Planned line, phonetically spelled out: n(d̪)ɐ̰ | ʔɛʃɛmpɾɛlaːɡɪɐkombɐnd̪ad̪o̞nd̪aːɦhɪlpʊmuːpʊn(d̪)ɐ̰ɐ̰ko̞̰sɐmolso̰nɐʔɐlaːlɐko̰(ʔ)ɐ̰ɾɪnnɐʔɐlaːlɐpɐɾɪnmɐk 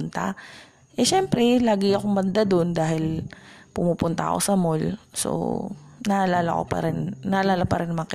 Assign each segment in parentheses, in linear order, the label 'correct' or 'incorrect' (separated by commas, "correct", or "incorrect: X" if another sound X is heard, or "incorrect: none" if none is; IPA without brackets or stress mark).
incorrect: t̪, incorrect: t̪, incorrect: p